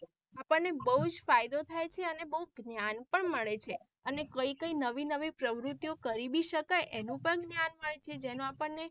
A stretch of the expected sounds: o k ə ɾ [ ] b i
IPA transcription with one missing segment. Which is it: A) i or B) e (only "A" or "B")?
A